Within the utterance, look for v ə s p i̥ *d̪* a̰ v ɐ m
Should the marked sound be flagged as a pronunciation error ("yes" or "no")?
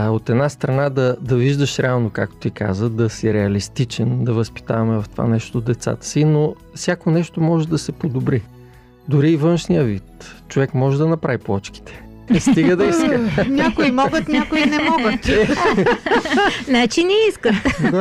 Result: yes